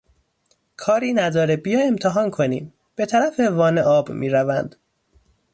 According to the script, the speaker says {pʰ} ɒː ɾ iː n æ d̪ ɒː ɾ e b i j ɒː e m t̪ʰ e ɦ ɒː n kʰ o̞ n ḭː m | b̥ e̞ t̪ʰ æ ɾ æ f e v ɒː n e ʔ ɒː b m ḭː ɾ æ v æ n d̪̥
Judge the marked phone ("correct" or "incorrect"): incorrect